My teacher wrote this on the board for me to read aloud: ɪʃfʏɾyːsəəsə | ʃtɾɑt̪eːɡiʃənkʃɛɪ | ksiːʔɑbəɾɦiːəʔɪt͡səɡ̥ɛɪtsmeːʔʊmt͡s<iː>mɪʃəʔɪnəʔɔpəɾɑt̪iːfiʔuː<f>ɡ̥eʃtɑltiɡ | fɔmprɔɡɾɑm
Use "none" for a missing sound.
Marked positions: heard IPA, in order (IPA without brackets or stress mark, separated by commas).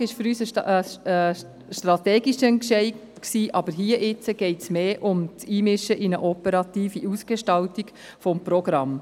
iː, s